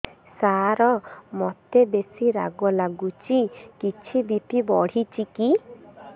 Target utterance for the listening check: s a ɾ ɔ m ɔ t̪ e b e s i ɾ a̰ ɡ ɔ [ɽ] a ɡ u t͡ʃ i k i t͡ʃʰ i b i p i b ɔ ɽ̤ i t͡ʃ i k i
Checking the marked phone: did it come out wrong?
yes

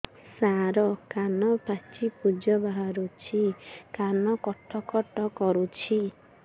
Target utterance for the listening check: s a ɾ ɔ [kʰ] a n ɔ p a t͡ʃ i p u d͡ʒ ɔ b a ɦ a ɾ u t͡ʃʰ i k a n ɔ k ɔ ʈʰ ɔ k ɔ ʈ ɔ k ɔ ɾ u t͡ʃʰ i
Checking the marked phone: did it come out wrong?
yes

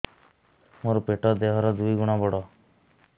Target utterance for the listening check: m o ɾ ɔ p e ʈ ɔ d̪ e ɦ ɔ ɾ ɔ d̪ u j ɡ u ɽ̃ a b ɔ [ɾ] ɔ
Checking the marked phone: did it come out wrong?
yes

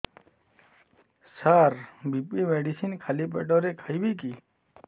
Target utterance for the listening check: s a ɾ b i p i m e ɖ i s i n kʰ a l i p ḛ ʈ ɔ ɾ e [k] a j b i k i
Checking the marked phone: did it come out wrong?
yes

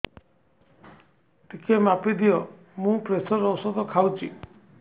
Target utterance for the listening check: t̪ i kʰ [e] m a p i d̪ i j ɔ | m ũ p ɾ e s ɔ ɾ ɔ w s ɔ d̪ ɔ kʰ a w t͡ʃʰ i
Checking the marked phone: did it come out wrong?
no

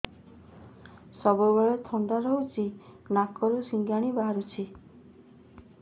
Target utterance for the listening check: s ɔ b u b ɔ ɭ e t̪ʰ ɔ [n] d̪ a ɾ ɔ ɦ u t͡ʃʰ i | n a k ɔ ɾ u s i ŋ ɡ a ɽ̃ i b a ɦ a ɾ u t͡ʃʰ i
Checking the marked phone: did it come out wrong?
no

